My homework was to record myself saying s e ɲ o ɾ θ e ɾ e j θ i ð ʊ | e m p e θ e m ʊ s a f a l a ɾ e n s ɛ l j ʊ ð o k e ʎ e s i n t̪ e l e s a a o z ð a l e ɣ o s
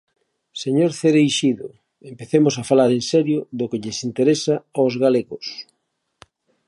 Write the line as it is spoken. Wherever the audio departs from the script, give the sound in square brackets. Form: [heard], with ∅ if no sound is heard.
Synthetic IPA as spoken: s e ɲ o ɾ θ e ɾ e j [ʃ] i ð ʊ | e m p e θ e m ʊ s a f a l a ɾ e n s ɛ [ɾ] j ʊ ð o k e ʎ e s i n t̪ e [ɾ] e s a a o z [ɣ] a l e ɣ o s